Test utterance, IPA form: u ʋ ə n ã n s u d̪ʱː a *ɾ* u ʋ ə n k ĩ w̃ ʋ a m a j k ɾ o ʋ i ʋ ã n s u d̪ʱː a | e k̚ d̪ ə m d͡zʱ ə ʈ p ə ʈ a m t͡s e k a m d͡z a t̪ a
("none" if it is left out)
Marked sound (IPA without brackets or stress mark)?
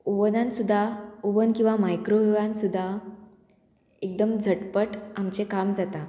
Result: none